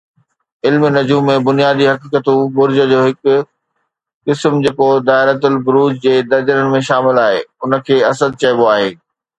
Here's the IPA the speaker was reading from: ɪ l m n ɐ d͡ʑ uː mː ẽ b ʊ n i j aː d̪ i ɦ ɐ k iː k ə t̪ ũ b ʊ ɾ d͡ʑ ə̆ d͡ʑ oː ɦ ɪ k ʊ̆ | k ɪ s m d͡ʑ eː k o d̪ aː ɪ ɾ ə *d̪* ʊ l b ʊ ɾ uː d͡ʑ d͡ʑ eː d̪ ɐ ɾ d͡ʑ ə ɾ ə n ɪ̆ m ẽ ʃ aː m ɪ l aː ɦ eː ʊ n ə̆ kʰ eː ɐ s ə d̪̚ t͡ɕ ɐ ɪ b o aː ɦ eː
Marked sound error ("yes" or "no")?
yes